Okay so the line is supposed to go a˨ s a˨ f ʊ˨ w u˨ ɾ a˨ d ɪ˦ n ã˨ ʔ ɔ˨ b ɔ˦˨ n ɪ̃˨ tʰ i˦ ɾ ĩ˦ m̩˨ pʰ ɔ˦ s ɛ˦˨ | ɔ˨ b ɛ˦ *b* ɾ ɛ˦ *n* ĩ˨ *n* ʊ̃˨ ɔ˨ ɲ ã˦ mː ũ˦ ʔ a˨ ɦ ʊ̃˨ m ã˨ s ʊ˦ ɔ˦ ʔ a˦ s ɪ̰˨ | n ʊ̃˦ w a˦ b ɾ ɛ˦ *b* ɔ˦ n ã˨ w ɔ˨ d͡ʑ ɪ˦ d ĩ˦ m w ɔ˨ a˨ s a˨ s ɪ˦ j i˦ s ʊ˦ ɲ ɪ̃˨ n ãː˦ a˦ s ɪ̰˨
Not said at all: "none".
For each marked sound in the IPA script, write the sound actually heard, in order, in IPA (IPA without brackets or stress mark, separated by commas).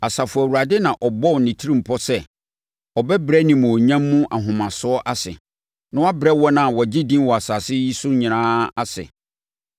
b, n, m, w